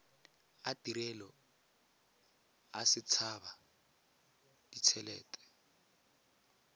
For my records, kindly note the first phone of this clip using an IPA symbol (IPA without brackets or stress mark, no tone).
a